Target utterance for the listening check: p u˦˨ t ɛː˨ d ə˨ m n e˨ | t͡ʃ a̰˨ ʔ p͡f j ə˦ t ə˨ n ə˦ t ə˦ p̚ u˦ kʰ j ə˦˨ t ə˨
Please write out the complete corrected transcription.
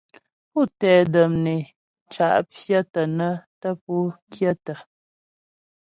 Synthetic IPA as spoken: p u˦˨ t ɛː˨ d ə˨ m n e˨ | t͡ʃ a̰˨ ʔ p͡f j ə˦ t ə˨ n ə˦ t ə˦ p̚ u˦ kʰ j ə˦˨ t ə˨